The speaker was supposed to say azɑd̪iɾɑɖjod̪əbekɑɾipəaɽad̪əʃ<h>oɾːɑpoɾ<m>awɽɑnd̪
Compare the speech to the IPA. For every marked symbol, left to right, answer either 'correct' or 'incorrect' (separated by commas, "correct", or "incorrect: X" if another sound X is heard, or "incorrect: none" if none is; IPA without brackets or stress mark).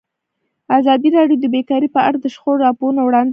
incorrect: x, incorrect: n